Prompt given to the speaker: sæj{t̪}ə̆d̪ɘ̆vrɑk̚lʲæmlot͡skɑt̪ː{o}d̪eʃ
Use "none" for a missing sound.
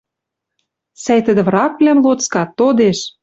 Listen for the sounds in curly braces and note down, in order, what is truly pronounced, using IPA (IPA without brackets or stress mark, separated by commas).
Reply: t̪, o